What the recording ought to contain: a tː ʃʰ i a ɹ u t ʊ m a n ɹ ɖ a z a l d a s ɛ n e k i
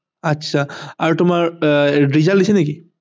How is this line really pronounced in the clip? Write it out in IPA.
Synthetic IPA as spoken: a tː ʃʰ a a ɹ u t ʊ m a ɹ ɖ i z a l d i s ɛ n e k i